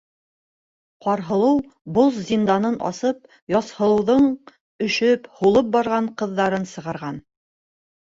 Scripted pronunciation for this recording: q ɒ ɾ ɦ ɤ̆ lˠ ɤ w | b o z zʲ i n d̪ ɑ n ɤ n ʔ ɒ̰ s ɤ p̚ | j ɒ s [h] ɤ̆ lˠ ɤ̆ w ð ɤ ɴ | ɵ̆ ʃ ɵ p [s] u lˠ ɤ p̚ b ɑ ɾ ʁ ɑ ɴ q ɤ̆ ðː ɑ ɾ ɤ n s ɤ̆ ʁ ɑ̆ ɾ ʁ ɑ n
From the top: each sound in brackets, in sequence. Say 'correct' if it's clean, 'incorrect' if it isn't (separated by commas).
correct, incorrect